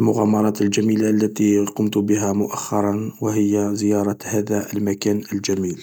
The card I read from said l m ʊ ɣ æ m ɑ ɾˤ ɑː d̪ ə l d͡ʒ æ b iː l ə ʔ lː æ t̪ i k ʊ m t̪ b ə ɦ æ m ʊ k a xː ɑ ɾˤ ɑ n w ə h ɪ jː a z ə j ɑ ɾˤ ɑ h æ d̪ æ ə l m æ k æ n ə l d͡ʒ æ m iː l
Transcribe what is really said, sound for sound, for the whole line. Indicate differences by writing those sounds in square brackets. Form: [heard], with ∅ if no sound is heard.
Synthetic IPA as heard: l m ʊ ɣ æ m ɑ ɾˤ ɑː [t̪] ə l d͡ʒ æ [m] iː l [a] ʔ lː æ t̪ i [q] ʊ m t̪ b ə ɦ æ m ʊ [ʔ] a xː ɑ ɾˤ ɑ n w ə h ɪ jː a z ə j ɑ ɾˤ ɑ h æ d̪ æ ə l m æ k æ n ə l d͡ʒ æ m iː l